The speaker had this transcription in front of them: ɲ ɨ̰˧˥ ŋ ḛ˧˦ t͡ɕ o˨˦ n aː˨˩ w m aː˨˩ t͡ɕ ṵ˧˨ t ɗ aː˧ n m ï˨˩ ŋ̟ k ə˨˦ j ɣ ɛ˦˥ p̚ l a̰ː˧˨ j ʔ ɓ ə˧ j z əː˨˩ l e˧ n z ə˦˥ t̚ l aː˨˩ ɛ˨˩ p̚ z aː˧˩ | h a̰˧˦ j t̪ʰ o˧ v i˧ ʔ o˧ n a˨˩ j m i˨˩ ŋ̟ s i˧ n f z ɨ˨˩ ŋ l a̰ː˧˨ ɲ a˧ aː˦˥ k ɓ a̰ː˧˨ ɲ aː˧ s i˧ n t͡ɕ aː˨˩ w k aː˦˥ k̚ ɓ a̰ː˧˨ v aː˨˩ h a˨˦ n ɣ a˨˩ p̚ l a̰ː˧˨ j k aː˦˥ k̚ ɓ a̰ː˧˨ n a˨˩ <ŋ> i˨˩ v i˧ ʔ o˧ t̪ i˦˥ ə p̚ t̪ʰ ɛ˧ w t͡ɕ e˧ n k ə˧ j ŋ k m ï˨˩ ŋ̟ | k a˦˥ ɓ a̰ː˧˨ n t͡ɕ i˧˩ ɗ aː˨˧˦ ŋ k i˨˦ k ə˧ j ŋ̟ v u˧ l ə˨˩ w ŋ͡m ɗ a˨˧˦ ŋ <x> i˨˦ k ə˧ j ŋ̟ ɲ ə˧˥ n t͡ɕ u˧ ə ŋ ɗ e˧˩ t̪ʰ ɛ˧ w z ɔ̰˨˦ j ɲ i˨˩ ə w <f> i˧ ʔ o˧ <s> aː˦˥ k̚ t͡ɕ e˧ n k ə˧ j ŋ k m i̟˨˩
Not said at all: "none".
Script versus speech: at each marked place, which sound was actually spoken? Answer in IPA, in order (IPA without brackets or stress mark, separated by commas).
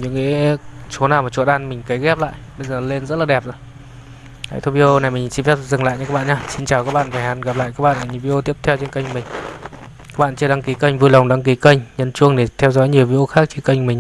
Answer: ɲ, k, v, x